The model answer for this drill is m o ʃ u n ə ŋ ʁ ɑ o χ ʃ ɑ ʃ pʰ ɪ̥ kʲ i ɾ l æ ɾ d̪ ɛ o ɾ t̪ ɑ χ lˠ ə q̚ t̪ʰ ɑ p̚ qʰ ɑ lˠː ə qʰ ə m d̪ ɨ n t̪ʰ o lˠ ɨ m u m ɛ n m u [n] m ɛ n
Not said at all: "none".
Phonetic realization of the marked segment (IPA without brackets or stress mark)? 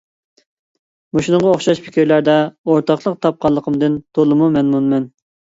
n